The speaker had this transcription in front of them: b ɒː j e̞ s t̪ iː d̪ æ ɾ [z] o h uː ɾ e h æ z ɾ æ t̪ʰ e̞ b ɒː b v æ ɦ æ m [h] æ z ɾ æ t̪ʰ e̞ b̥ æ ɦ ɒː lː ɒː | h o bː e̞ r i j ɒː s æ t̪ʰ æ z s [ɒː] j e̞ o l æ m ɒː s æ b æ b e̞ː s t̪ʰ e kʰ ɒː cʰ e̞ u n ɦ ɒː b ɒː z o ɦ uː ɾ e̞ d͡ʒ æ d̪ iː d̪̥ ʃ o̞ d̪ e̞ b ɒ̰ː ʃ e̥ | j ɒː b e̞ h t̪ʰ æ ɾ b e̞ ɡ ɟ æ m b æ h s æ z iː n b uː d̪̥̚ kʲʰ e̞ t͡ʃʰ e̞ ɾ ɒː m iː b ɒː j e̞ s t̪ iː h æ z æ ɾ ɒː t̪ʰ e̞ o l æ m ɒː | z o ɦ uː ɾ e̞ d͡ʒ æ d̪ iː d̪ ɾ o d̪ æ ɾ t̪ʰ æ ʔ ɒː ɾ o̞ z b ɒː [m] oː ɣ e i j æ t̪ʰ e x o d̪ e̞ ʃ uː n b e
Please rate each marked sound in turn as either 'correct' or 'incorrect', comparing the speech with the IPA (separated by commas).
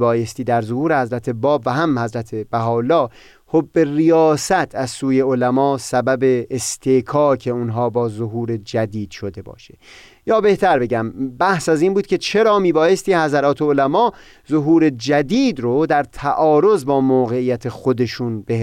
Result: correct, correct, incorrect, correct